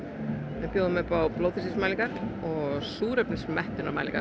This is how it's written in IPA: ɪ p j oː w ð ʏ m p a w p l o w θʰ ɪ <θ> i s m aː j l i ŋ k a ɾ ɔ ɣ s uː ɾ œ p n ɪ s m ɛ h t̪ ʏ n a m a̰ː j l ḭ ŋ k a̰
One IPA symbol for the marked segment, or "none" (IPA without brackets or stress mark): s